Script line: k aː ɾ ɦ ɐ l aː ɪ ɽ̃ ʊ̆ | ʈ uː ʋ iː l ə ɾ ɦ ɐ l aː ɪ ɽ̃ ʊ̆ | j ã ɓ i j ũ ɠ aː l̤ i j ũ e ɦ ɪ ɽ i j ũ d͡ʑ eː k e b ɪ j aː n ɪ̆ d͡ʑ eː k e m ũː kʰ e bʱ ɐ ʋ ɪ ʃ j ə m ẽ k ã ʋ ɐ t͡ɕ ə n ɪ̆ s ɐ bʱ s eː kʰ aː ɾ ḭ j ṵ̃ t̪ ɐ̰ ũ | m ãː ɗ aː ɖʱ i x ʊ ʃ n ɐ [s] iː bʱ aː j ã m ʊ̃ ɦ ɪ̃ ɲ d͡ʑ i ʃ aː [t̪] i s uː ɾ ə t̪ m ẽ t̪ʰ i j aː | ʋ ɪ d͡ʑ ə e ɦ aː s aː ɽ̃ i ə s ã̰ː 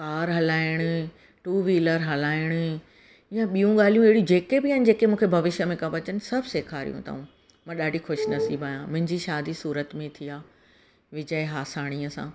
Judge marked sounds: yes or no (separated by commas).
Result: yes, no